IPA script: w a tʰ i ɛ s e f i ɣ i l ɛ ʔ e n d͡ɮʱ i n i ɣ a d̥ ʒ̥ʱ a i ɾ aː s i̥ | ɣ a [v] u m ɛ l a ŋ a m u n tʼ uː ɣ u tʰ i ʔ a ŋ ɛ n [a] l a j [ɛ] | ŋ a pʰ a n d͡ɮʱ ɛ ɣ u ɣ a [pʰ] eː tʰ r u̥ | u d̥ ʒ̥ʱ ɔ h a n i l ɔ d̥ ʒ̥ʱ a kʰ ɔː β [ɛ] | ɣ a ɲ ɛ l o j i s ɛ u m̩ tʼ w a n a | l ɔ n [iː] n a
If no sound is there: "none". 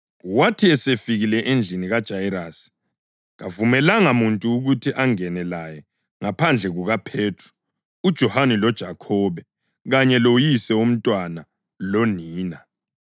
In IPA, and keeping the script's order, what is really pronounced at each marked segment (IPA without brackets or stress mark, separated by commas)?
v, ɛ, ɛ, pʰ, ɛ, iː